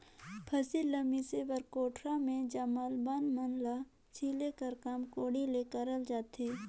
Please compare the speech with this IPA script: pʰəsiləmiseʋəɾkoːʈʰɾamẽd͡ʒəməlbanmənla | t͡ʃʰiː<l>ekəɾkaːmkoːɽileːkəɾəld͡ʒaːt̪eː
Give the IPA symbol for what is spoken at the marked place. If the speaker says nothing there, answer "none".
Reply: l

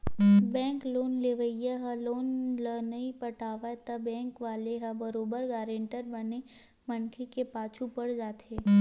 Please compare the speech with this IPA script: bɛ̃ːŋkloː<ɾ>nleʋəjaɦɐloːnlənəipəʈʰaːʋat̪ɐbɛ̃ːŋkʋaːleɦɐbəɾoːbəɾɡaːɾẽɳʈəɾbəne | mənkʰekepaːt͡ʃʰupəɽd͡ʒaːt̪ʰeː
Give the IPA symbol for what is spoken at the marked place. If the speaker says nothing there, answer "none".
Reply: none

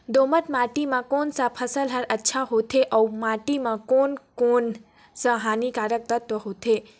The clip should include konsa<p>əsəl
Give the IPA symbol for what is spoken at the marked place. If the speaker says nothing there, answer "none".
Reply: pʰ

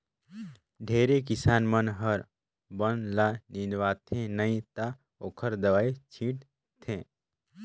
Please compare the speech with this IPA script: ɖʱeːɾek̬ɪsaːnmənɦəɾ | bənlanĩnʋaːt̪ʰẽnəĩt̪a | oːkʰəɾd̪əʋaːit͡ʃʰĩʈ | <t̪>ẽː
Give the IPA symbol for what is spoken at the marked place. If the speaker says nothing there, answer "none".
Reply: t̪ʰ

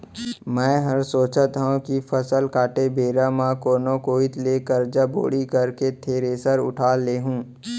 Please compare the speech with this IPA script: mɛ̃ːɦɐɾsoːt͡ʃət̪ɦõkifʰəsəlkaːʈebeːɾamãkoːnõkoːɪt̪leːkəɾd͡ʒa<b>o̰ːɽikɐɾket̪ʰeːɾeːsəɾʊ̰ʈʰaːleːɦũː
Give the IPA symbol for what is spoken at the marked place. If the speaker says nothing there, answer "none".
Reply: b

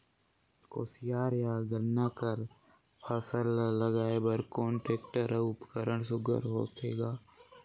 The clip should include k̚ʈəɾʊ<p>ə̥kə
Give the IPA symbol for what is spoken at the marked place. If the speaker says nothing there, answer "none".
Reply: p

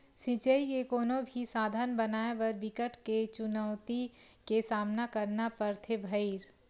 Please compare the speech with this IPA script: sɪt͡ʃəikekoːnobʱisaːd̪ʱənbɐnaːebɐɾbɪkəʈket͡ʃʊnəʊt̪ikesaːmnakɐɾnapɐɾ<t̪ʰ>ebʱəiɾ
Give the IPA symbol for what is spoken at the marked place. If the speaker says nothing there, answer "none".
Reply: t̪ʰ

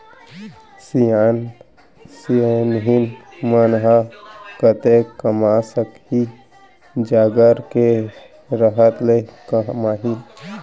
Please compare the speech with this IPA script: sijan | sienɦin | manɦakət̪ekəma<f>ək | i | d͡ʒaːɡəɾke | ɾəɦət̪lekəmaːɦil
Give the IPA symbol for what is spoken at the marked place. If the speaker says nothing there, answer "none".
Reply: s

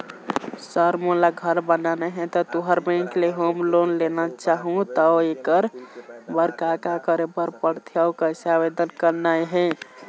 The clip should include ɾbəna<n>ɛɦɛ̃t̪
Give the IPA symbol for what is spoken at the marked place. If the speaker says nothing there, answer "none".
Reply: n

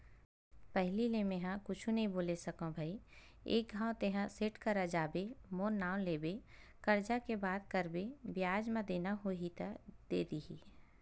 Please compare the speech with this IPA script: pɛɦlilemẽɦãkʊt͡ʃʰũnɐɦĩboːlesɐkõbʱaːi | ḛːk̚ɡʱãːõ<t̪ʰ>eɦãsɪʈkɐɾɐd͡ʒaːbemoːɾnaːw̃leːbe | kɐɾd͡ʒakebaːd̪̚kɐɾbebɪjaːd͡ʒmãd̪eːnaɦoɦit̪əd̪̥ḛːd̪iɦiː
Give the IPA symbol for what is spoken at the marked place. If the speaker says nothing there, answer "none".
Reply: t̪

